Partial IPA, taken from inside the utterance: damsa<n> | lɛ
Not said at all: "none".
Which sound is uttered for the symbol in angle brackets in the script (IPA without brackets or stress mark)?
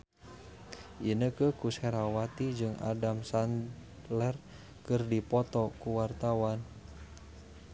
n